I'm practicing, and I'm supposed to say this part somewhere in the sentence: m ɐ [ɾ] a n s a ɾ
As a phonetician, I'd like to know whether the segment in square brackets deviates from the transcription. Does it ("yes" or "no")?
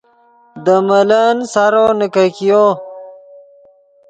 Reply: yes